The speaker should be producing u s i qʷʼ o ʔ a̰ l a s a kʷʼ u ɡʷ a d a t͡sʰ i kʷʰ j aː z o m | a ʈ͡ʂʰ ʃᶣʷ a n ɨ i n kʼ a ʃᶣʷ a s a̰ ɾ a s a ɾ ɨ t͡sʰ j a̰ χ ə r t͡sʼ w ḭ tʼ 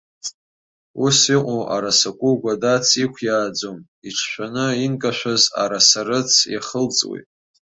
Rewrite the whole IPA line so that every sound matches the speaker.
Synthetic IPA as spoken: u s i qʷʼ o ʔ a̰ ɾ a s a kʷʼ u ɡʷ a d a t͡sʰ i kʷʰ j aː d͡z o m | i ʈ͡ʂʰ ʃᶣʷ a n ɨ i n kʼ a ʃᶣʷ a z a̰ ɾ a s a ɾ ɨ t͡sʰ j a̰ χ ə l t͡sʼ w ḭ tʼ